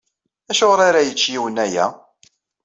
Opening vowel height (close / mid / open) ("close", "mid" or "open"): open